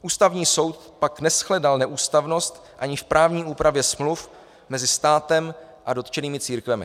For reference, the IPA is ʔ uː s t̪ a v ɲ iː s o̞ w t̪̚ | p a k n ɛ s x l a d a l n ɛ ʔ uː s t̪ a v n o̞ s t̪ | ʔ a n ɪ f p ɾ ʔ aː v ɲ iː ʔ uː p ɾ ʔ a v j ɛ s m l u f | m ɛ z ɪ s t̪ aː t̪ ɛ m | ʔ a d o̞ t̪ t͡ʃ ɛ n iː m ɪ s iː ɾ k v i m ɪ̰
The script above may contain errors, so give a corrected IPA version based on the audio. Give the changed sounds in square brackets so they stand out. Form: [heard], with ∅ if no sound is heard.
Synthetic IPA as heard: ʔ uː s t̪ a v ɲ iː s o̞ w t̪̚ | p a k n ɛ s x l [ɛ] d a l n ɛ ʔ uː s t̪ a v n o̞ s t̪ | ʔ a [ɲ] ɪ f p ɾ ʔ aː v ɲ iː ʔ uː p ɾ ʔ a v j ɛ s m l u f | m ɛ z ɪ s t̪ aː t̪ ɛ m | ʔ a d o̞ t̪ t͡ʃ ɛ n iː m ɪ [t͡s] iː ɾ k v [ɛ] m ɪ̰